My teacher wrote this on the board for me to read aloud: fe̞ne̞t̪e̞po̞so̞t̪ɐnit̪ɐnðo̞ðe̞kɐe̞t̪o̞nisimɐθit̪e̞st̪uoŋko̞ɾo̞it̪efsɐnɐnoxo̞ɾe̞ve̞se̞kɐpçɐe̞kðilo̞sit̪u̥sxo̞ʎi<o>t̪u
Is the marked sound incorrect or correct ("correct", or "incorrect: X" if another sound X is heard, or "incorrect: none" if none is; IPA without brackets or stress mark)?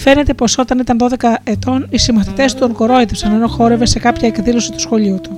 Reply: incorrect: u